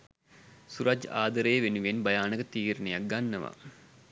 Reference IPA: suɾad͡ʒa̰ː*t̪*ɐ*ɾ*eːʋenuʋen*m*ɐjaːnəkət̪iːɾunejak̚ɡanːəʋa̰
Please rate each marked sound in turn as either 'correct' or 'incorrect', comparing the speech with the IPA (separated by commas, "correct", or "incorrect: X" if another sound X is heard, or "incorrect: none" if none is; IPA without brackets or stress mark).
incorrect: d̪, correct, incorrect: b